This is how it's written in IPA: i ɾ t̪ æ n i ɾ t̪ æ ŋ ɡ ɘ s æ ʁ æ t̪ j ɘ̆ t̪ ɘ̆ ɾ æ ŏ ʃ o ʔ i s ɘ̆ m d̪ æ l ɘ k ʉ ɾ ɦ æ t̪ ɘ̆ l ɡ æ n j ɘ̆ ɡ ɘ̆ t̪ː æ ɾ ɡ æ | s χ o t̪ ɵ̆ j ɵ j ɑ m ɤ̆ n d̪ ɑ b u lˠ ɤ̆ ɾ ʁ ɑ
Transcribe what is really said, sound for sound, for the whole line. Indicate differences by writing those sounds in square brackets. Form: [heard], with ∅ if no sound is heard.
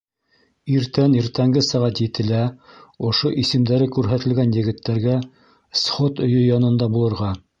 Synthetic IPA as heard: i ɾ t̪ æ n i ɾ t̪ æ ŋ ɡ ɘ s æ ʁ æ t̪ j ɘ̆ t̪ ɘ̆ [l] æ ŏ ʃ o ʔ i s ɘ̆ m d̪ æ [ɾ] ɘ k ʉ ɾ ɦ æ t̪ ɘ̆ l ɡ æ n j ɘ̆ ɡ ɘ̆ t̪ː æ ɾ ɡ æ | s χ o t̪ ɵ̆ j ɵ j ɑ [n] ɤ̆ n d̪ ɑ b u lˠ ɤ̆ ɾ ʁ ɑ

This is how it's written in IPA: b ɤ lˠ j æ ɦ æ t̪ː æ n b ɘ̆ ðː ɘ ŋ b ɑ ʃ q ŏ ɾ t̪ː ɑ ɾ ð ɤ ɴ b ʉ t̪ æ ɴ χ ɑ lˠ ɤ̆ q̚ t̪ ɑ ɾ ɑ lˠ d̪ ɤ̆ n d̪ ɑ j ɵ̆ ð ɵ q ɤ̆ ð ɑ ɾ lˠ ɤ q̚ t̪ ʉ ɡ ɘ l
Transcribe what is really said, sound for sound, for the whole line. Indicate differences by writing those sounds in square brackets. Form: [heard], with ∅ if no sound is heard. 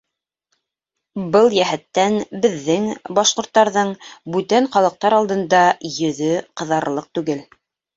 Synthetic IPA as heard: b ɤ lˠ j æ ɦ æ t̪ː æ n b ɘ̆ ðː ɘ ŋ b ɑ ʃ q ŏ ɾ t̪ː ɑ ɾ ð ɤ ɴ b ʉ t̪ æ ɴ χ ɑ lˠ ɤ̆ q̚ t̪ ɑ ɾ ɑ lˠ d̪ ɤ̆ n d̪ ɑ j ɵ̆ ð ɵ q ɤ̆ ð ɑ ɾ lˠ ɤ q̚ t̪ ʉ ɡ ɘ l

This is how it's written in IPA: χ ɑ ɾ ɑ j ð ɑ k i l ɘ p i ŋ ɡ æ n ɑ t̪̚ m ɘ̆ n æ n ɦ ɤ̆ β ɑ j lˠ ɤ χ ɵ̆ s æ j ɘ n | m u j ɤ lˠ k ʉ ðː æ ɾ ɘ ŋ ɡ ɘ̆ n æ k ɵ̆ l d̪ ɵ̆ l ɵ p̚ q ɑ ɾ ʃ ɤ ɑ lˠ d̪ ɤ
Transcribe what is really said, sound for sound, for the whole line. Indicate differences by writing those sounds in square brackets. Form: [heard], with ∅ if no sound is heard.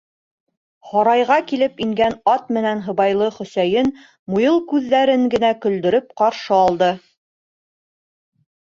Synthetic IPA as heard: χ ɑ ɾ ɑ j [ʁ] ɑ k i l ɘ p i ŋ ɡ æ n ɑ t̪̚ m ɘ̆ n æ n ɦ ɤ̆ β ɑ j lˠ ɤ χ ɵ̆ s æ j ɘ n | m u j ɤ lˠ k ʉ ðː æ ɾ ɘ ŋ ɡ ɘ̆ n æ k ɵ̆ l d̪ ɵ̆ [ɾ] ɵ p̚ q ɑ ɾ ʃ ɤ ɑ lˠ d̪ ɤ

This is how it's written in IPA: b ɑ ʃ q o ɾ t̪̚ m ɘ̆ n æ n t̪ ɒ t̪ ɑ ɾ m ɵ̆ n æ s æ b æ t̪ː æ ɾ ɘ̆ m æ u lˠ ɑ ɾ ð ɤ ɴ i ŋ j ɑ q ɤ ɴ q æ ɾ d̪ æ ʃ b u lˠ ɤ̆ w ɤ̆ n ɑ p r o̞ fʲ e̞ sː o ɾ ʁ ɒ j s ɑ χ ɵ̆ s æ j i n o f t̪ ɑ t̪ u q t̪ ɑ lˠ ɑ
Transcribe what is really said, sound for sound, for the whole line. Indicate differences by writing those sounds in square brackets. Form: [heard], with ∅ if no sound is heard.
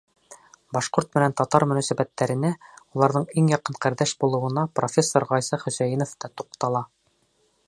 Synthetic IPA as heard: b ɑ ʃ q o ɾ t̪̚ m ɘ̆ n æ n t̪ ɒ t̪ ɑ ɾ m ɵ̆ n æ s æ b æ t̪ː æ ɾ ɘ̆ [n] æ u lˠ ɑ ɾ ð ɤ ɴ i ŋ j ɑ q ɤ ɴ q æ ɾ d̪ æ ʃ b u lˠ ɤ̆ w ɤ̆ n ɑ p r o̞ fʲ e̞ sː o ɾ ʁ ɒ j s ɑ χ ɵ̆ s æ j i n o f t̪ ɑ t̪ u q t̪ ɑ lˠ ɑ

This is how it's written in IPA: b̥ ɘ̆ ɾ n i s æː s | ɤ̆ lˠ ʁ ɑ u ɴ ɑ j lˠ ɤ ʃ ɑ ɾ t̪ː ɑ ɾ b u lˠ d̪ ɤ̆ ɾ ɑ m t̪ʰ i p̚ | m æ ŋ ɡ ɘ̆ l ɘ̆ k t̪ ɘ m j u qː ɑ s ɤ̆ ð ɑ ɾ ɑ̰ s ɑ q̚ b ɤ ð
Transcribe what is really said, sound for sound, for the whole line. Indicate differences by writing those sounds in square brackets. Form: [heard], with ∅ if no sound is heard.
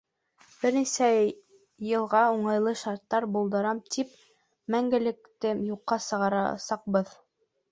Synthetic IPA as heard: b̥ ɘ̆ ɾ n i s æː [∅] | ɤ̆ lˠ ʁ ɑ u ɴ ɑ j lˠ ɤ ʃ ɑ ɾ t̪ː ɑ ɾ b u lˠ d̪ ɤ̆ ɾ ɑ m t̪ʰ i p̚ | m æ ŋ ɡ ɘ̆ l ɘ̆ k t̪ ɘ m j u qː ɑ s ɤ̆ [ʁ] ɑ ɾ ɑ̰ s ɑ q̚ b ɤ ð

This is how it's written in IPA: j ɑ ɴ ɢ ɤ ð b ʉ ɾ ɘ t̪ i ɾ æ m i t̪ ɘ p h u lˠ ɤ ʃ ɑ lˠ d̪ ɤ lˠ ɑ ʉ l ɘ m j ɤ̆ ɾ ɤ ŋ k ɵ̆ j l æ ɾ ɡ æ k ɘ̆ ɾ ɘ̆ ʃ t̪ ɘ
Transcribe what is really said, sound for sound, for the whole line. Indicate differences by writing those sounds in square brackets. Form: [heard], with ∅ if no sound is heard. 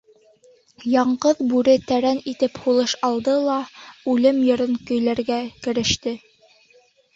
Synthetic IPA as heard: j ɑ ɴ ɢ ɤ ð b ʉ ɾ ɘ t̪ [æ] ɾ æ [n] i t̪ ɘ p h u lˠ ɤ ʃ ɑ lˠ d̪ ɤ lˠ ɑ ʉ l ɘ m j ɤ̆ ɾ ɤ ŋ k ɵ̆ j l æ ɾ ɡ æ k ɘ̆ ɾ ɘ̆ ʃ t̪ ɘ

